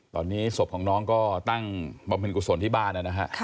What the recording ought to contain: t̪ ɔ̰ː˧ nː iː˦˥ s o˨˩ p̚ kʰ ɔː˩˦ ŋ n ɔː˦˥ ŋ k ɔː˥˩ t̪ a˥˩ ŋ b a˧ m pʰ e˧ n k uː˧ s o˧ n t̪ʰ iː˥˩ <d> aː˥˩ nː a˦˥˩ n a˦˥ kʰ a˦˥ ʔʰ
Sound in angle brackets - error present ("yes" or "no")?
yes